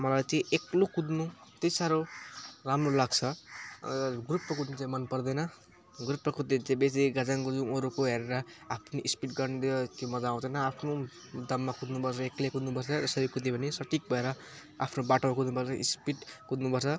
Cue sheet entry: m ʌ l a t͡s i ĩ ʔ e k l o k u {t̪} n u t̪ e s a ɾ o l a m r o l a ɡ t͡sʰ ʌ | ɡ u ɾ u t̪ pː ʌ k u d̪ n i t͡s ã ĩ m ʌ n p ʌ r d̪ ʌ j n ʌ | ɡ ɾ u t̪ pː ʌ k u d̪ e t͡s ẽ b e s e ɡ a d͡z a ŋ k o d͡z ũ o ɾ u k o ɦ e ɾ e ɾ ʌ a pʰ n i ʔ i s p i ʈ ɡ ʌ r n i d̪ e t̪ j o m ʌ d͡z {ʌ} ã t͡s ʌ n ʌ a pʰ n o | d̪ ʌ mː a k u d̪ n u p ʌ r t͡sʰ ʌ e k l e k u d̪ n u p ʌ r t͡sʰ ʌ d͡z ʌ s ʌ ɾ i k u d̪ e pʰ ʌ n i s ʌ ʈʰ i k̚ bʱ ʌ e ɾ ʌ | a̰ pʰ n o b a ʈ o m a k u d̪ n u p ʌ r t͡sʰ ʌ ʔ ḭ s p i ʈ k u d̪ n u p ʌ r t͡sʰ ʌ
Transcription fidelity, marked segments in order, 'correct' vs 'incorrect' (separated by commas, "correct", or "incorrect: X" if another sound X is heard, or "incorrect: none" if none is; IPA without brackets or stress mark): incorrect: d̪, incorrect: a